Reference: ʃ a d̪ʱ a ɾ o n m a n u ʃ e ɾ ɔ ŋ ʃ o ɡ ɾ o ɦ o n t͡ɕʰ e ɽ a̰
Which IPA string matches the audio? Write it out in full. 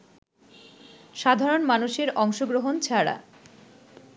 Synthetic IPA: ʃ a d̪ʱ a ɾ o n m a n u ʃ e ɾ ɔ ŋ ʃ o ɡ ɾ o ɦ o n t͡ɕʰ a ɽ a̰